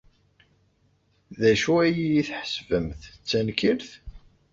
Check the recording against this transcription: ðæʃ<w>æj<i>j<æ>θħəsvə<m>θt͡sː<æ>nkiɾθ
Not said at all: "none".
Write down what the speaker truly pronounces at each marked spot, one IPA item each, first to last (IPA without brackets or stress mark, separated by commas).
u, i, i, m, æ